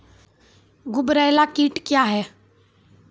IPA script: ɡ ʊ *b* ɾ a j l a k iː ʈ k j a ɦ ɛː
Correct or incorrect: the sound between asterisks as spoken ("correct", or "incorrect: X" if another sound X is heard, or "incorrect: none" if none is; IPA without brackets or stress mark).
correct